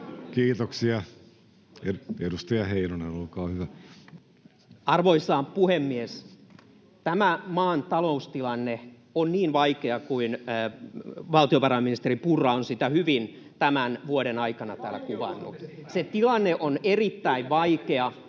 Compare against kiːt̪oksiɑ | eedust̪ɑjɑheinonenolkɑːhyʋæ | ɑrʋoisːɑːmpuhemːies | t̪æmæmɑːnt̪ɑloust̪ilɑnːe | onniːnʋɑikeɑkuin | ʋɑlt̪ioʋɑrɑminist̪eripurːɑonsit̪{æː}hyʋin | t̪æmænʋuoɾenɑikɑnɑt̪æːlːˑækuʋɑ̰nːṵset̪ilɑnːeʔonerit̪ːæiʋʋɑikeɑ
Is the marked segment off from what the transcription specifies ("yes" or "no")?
yes